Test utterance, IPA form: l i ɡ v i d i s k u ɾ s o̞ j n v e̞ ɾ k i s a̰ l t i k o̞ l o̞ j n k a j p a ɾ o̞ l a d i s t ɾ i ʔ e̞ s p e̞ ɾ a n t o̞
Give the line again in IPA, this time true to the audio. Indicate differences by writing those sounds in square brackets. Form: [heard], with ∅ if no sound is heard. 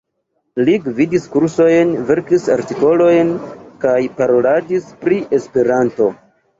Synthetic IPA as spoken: l i ɡ v i d i s k u ɾ s o̞ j n v e̞ ɾ k i s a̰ [ɾ] t i k o̞ l o̞ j n k a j p a ɾ o̞ l a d i s [p] ɾ i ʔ e̞ s p e̞ ɾ a n t o̞